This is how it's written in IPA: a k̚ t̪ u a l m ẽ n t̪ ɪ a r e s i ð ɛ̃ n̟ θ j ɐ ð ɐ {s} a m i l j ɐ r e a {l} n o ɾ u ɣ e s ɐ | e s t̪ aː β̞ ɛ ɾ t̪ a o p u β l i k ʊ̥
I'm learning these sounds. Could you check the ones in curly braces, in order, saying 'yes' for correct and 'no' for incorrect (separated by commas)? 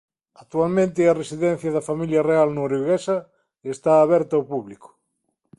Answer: no, yes